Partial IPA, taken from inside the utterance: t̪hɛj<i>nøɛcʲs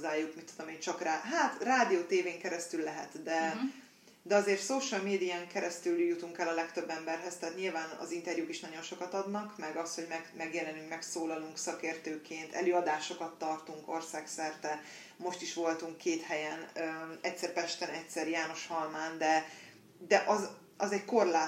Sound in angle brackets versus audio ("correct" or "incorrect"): incorrect